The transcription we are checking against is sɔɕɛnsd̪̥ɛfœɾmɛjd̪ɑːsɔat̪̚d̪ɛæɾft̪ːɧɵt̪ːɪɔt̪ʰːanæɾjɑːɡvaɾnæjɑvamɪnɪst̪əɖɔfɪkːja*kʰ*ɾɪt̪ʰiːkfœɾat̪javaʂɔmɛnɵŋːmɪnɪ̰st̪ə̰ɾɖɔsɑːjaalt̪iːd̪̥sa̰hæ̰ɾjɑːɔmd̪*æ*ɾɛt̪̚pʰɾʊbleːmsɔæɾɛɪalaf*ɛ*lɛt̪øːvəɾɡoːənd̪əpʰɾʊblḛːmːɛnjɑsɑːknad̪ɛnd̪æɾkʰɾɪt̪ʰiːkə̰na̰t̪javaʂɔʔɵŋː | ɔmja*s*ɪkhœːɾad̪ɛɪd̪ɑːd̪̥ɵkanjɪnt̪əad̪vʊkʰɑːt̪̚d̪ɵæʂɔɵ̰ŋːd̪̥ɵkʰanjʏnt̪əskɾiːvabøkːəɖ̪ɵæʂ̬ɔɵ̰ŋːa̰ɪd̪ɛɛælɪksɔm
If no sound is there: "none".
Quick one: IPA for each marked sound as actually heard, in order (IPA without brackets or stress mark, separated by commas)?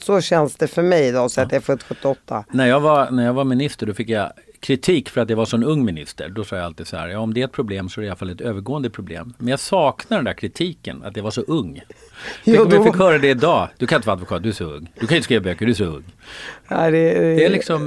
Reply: kʰ, ɛ, a, f